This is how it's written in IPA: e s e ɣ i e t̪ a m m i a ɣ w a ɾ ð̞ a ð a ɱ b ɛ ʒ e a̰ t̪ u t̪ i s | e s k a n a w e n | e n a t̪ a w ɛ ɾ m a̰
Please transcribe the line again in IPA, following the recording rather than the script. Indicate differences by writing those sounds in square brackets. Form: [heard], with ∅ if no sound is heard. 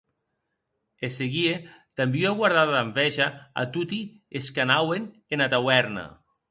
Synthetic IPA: e s e ɣ i e t̪ a m [b] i a ɣ w a ɾ ð̞ a ð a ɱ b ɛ ʒ [a] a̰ t̪ u t̪ i [∅] | e s k a n a w e n | e n a t̪ a w ɛ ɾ [n] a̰